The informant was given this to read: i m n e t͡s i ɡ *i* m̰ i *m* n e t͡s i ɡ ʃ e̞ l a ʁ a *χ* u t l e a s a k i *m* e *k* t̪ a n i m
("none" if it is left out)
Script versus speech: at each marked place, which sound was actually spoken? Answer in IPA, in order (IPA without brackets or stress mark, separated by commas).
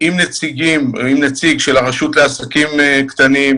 i, m, ʃ, m, k